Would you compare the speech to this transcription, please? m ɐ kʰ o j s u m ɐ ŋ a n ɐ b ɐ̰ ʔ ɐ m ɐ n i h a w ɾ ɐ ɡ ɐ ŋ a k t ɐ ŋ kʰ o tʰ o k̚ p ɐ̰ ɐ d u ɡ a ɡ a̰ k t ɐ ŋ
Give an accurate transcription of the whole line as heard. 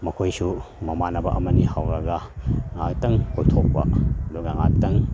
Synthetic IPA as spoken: m ɐ kʰ o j s u m ɐ m a n ɐ b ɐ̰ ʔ ɐ m ɐ n i h a w ɾ ɐ ɡ ɐ ŋ a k t ɐ ŋ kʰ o tʰ o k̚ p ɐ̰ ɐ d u ɡ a ŋ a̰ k t ɐ ŋ